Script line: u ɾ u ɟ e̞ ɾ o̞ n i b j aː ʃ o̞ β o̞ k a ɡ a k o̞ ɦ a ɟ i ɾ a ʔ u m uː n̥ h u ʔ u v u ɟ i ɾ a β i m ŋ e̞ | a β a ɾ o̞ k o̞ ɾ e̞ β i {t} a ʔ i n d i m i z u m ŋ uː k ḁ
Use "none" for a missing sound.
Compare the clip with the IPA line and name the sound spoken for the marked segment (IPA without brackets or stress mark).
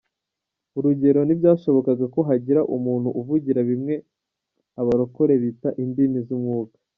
t